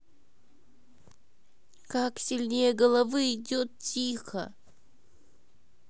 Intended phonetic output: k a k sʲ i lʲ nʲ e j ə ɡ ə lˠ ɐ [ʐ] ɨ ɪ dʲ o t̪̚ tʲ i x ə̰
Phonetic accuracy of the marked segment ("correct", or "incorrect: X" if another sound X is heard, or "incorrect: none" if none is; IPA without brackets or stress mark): incorrect: v